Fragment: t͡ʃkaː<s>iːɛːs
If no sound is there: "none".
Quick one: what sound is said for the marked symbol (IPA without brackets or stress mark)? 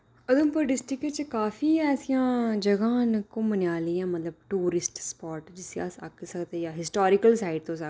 f